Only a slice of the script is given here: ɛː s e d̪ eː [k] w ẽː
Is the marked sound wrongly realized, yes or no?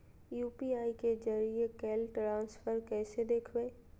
yes